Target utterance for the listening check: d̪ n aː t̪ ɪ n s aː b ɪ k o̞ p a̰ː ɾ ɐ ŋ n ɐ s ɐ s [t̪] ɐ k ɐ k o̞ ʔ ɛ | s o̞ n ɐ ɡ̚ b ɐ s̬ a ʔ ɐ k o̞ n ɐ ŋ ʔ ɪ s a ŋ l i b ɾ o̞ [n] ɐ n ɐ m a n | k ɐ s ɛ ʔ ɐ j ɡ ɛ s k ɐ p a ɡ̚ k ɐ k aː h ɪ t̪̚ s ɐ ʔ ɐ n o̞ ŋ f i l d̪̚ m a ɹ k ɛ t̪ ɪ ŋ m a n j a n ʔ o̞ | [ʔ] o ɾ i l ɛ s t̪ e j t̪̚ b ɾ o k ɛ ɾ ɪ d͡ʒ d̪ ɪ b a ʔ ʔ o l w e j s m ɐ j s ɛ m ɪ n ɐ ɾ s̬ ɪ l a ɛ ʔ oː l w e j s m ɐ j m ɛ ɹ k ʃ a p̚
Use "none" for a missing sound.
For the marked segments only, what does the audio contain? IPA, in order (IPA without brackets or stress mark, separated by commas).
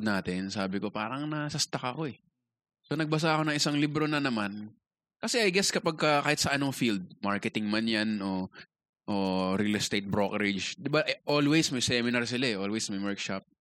t̪, n, ʔ